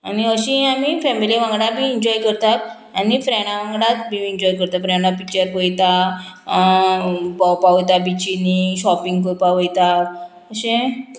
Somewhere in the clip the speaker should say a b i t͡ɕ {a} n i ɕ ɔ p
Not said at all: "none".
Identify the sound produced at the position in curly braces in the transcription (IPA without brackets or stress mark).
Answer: i